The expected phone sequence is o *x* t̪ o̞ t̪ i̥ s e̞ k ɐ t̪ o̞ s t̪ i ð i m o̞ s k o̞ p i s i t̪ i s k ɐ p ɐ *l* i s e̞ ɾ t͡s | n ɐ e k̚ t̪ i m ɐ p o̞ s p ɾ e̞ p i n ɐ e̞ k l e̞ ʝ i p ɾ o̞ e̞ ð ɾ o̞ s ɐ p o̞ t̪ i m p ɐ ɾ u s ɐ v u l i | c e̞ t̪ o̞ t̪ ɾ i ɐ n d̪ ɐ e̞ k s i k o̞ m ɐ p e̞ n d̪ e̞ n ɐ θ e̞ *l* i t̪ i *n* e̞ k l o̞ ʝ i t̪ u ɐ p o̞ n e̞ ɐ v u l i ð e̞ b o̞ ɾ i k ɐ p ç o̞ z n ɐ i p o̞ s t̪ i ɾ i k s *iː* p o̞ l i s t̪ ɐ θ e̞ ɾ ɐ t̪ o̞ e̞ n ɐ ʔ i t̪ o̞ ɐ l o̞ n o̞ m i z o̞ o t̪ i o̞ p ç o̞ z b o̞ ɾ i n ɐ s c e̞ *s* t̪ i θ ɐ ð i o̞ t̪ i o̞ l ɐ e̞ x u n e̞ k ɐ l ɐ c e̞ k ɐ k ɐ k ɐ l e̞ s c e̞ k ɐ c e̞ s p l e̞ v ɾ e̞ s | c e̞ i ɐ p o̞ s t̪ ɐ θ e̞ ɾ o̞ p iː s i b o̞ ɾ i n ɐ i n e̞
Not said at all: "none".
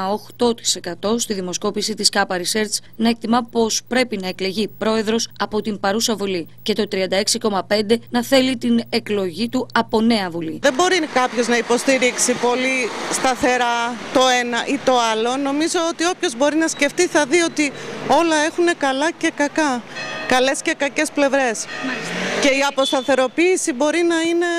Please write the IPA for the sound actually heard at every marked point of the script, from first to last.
x, ɾ, l, n, i, f

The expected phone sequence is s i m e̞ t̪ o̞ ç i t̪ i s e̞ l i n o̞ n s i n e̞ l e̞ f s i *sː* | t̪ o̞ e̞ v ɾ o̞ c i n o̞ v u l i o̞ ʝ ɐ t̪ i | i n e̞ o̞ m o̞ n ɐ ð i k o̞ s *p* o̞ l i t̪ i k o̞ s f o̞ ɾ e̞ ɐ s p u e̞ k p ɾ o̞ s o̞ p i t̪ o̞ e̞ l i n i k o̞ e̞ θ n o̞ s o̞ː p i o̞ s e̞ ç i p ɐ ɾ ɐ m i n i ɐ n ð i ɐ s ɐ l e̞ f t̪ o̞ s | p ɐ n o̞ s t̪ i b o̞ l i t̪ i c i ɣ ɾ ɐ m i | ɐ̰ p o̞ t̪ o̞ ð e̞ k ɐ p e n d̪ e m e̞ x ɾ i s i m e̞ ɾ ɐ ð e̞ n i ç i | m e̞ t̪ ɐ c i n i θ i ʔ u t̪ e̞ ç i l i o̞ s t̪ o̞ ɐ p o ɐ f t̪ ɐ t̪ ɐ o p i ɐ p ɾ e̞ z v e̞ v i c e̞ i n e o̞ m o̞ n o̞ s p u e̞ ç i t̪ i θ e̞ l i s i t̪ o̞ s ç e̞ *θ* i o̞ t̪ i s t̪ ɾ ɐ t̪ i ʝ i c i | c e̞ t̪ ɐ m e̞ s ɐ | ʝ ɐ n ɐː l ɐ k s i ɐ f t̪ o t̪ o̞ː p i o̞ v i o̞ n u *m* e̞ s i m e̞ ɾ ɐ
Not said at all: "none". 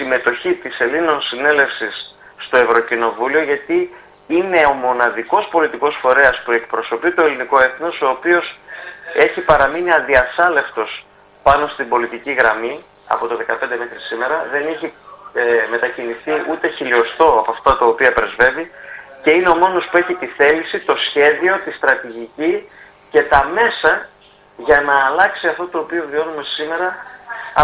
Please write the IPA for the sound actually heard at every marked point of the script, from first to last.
sː, p, ð, m

